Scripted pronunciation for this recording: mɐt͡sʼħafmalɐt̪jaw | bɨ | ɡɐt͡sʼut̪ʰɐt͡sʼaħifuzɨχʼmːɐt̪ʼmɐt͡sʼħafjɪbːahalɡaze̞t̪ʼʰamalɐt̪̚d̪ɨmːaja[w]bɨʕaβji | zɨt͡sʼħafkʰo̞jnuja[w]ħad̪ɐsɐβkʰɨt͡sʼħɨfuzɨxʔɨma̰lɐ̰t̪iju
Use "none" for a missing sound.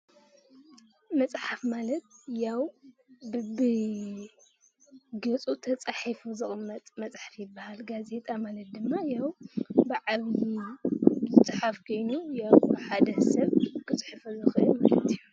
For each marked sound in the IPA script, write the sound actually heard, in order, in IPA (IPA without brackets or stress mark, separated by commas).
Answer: w, w